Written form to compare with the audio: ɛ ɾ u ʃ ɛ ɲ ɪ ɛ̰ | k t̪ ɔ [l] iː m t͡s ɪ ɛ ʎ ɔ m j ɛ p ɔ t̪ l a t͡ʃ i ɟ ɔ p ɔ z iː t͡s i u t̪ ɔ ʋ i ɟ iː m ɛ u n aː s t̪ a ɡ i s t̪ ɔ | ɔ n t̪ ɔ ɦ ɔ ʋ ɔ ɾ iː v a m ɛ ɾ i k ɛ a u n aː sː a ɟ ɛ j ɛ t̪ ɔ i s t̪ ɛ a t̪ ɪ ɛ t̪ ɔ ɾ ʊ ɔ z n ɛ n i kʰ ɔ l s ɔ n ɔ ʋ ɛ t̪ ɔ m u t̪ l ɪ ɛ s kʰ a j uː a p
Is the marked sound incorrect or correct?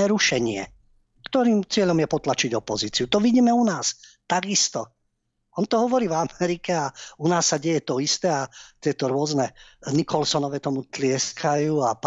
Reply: incorrect